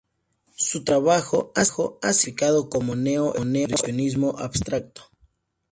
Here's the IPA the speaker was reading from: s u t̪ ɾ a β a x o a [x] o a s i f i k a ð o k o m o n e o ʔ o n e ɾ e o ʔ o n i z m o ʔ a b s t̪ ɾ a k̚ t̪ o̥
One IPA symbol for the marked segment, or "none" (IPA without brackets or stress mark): x